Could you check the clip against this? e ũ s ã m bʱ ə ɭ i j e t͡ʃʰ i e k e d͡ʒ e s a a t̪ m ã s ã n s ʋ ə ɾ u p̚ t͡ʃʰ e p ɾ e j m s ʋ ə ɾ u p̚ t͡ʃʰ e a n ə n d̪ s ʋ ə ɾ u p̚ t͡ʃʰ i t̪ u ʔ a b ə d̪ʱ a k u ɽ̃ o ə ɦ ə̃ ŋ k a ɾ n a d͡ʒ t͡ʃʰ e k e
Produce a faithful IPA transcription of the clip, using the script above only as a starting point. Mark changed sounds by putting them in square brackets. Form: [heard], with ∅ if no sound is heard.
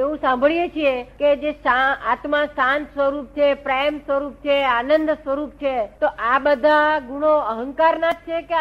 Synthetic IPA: e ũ s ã m bʱ ə ɭ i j e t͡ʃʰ i e k e d͡ʒ e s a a t̪ m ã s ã n s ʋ ə ɾ u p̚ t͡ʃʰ e p ɾ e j m s ʋ ə ɾ u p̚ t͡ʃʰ e a n ə n d̪ s ʋ ə ɾ u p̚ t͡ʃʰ [e] t̪ [o] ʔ a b ə d̪ʱ a [ɡ] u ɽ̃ o ə ɦ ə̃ ŋ k a ɾ n a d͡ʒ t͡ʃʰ e k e